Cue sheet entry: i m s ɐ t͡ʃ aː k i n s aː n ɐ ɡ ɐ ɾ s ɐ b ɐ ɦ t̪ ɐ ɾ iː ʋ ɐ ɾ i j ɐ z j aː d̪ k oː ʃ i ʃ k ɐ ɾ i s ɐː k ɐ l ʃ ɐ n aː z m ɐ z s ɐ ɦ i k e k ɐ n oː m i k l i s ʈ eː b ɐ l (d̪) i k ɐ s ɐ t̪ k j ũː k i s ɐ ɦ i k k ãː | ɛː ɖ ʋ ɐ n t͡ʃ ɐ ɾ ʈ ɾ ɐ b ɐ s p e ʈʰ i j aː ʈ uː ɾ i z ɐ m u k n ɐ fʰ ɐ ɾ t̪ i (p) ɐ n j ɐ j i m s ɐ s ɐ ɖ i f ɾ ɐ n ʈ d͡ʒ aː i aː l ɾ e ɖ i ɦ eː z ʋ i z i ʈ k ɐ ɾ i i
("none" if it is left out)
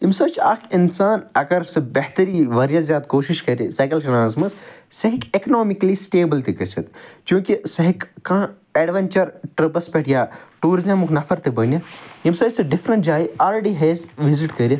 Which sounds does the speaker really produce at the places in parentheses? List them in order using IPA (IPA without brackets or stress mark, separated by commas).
t̪, b